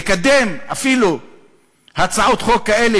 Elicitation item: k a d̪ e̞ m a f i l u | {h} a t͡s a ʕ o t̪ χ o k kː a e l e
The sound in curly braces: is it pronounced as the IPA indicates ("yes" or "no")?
yes